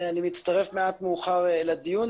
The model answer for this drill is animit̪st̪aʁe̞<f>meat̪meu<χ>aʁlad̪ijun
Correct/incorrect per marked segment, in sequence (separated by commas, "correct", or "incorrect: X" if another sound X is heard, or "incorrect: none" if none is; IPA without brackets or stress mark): correct, correct